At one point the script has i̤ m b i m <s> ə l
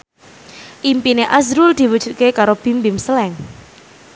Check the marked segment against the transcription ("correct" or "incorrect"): correct